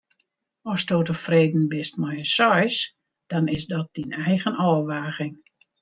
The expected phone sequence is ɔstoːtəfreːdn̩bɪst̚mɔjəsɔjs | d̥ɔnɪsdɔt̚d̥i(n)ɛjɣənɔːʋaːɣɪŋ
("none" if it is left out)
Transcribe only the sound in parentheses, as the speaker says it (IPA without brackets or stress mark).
n